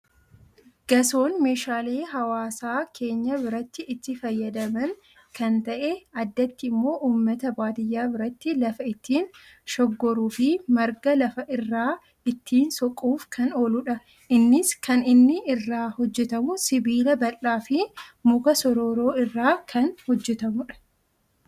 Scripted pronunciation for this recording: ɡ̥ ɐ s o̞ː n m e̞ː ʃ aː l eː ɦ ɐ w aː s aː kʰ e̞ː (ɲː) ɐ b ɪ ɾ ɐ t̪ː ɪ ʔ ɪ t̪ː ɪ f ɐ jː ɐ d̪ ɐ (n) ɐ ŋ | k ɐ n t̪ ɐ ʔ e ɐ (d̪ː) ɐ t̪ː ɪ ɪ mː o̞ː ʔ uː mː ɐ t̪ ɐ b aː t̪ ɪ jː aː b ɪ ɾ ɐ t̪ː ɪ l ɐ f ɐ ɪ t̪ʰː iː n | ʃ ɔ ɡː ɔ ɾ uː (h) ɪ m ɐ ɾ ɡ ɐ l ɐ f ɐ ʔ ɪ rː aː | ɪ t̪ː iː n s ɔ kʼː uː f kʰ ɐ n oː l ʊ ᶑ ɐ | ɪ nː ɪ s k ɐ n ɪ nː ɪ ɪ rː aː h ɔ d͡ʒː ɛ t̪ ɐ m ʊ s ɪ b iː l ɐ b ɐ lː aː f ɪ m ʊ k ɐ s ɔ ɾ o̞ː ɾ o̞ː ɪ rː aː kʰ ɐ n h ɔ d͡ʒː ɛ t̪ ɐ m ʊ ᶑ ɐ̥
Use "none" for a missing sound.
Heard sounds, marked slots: ɲː, m, d̪ː, f

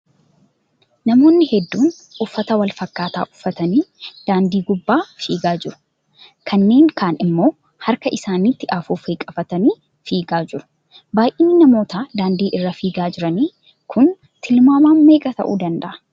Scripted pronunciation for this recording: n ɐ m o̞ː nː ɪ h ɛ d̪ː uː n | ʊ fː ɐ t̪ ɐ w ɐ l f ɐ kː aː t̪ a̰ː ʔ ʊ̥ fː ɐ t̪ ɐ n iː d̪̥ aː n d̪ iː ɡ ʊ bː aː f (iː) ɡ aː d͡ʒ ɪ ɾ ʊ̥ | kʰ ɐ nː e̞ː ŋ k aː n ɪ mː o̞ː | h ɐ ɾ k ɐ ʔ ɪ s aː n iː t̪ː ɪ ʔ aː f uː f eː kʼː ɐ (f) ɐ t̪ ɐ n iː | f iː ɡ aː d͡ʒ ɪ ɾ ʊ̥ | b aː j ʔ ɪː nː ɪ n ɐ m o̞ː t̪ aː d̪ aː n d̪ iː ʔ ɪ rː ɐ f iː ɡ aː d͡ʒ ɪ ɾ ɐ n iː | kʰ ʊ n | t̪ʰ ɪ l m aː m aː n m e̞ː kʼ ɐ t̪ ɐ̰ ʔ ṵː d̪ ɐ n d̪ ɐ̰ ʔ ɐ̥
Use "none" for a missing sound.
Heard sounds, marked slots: iː, f

